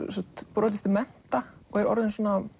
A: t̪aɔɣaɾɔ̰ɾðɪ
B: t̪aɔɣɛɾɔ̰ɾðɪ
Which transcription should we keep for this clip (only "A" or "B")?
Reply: B